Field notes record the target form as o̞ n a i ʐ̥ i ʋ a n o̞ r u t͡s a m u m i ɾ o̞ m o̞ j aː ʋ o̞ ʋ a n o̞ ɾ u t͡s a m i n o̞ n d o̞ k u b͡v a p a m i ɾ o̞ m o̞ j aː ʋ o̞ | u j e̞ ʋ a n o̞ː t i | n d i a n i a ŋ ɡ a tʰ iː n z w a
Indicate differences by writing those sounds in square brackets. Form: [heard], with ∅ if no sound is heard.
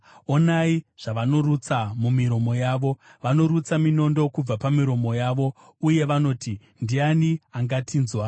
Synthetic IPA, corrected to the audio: o̞ n a i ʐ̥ [a] ʋ a n o̞ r u t͡s a m u m i ɾ o̞ m o̞ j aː ʋ o̞ ʋ a n o̞ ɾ u t͡s a m i n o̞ n d o̞ k u b͡v a p a m i ɾ o̞ m o̞ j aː ʋ o̞ | u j e̞ ʋ a n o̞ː t i | n d i a n i a ŋ ɡ a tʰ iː n z w a